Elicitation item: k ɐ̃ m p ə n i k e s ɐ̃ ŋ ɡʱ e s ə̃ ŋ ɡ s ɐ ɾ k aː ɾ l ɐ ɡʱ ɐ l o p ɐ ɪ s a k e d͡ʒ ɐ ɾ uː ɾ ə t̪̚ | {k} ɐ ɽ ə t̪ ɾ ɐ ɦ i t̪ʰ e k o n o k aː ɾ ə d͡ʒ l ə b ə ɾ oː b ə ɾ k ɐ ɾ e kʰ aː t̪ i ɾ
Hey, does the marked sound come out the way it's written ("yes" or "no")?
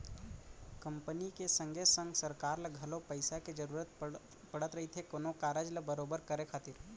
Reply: no